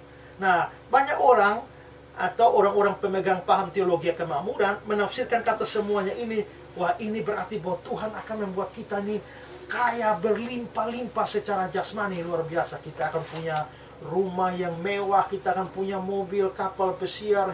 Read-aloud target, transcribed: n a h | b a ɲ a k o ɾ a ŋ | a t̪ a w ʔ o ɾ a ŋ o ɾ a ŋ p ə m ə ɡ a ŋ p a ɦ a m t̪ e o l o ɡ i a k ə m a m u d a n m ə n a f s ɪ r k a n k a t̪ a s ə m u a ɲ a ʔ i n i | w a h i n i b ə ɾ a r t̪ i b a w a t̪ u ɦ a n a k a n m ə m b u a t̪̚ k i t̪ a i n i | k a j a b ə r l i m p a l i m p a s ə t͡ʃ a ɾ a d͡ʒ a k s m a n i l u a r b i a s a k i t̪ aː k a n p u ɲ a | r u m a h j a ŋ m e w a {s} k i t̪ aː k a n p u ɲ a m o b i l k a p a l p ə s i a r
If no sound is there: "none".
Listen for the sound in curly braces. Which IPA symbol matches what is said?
h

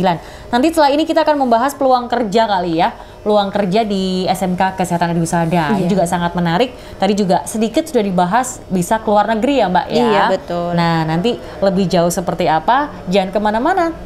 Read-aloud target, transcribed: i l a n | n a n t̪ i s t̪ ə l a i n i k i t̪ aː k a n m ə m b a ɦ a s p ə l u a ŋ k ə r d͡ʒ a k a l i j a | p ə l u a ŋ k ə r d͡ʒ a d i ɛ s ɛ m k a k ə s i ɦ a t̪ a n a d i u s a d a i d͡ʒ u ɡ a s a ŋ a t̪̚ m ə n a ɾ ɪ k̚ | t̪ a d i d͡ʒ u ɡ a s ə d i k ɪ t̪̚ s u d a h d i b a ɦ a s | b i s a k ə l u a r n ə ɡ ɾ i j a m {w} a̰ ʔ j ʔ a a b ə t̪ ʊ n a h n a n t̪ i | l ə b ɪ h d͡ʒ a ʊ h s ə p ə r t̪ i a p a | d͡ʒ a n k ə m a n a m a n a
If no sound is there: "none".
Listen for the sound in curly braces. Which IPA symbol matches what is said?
b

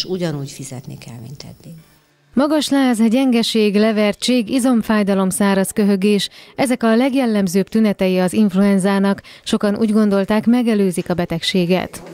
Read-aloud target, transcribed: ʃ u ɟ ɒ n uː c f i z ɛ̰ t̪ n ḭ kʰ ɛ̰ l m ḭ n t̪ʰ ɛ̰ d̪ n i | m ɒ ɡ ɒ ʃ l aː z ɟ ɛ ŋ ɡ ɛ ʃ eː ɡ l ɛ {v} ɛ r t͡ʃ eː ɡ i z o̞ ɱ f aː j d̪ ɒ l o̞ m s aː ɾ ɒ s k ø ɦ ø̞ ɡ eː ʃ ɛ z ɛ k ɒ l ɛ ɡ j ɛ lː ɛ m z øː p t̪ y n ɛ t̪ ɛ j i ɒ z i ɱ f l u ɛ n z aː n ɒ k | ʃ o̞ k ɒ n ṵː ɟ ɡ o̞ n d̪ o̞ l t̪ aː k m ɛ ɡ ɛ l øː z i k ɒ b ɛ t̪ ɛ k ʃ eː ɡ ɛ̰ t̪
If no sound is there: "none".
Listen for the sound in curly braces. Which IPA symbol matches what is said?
v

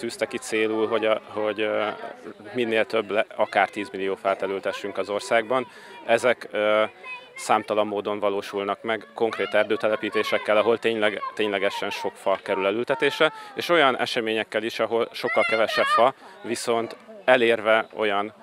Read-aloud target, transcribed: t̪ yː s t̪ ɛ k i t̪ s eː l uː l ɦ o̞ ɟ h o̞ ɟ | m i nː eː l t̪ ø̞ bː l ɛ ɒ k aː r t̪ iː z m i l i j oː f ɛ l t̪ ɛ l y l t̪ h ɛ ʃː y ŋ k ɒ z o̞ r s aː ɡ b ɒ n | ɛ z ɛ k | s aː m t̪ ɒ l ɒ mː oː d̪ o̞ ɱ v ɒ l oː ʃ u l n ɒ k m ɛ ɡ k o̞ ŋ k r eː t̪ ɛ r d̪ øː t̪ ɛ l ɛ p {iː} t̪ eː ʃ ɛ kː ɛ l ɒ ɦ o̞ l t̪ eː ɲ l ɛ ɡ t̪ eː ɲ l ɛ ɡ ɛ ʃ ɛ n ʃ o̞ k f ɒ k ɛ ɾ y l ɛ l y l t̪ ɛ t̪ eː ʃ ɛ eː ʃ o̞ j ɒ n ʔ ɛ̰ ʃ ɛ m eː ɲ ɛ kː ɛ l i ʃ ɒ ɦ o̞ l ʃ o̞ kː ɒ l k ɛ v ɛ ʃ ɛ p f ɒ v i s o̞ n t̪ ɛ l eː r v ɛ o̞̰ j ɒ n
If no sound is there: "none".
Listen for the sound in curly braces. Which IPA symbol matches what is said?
iː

